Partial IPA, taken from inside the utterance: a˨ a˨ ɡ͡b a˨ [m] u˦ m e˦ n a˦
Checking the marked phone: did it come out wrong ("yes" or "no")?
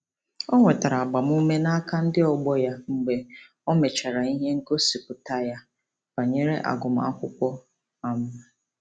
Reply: no